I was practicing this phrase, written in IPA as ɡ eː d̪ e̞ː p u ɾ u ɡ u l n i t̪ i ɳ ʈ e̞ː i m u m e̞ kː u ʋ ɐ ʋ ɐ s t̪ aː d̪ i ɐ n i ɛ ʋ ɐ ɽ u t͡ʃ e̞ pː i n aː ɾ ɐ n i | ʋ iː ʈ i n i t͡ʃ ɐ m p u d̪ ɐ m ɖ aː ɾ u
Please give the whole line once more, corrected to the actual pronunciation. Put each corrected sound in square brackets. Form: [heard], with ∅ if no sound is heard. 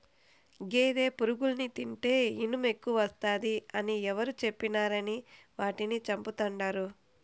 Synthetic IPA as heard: ɡ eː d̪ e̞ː p u ɾ u ɡ u l n i t̪ i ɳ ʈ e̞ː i [n] u m e̞ kː u ʋ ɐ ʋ ɐ s t̪ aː d̪ i ɐ n i ɛ ʋ ɐ [ɾ] u t͡ʃ e̞ pː i n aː ɾ ɐ n i | ʋ [aː] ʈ i n i t͡ʃ ɐ m p u [t̪] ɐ [ɳ] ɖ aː ɾ u

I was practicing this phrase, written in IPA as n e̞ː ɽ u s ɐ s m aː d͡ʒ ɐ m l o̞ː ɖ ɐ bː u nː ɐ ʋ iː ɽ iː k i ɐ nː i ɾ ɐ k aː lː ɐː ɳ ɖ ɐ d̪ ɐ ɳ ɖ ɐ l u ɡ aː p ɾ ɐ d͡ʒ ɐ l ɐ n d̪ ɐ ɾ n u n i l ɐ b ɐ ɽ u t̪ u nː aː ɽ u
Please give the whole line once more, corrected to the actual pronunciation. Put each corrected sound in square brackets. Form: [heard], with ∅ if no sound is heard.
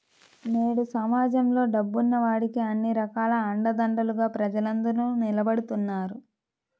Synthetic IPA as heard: n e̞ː ɽ u s ɐ [∅] m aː d͡ʒ ɐ m l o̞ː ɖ ɐ bː u nː ɐ ʋ [aː] ɽ [i] k i ɐ nː i ɾ ɐ k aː [l] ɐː ɳ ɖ ɐ d̪ ɐ ɳ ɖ ɐ l u ɡ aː p ɾ ɐ d͡ʒ ɐ l ɐ n d̪ ɐ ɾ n u n i l ɐ b ɐ ɽ u t̪ u nː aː [ɾ] u

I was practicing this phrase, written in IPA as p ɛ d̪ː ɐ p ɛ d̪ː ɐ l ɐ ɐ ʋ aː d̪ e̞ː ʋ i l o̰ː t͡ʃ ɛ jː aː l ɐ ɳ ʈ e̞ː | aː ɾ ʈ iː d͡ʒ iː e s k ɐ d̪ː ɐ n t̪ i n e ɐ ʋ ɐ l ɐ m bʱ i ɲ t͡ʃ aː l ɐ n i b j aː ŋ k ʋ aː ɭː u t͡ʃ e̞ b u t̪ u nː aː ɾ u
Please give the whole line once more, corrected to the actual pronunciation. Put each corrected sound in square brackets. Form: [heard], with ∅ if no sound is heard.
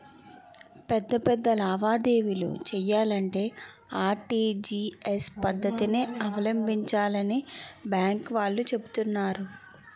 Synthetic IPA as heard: p ɛ d̪ː ɐ p ɛ d̪ː ɐ l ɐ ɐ ʋ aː d̪ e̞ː ʋ i l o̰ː t͡ʃ ɛ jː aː l ɐ ɳ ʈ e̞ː | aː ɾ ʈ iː d͡ʒ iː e s [p] ɐ d̪ː ɐ [∅] t̪ i n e ɐ ʋ ɐ l ɐ m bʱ i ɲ t͡ʃ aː l ɐ n i b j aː ŋ k ʋ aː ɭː u t͡ʃ e̞ b u t̪ u nː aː ɾ u

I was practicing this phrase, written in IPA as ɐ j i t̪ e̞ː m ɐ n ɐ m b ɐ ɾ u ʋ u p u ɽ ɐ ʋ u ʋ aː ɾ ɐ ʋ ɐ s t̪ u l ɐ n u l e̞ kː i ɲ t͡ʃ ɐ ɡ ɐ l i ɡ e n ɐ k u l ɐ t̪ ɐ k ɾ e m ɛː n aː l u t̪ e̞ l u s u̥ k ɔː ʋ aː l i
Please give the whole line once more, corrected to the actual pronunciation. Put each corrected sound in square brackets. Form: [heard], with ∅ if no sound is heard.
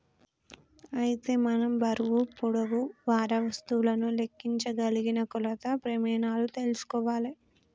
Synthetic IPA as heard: ɐ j i t̪ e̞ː m ɐ n ɐ m b ɐ ɾ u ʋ u p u ɽ ɐ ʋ u ʋ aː ɾ ɐ ʋ ɐ s t̪ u l ɐ n u l e̞ kː i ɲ t͡ʃ ɐ ɡ ɐ l i ɡ [i] n ɐ k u l ɐ t̪ ɐ [p] ɾ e m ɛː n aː l u t̪ e̞ l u s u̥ k ɔː ʋ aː l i

